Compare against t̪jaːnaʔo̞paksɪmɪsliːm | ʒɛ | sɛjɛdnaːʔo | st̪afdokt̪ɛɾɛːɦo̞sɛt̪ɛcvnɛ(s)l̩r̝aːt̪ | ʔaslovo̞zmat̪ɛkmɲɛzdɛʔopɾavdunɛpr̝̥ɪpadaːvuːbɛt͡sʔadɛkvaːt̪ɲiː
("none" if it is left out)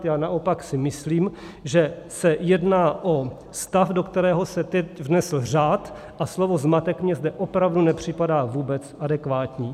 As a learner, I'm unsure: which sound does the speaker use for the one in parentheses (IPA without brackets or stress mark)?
s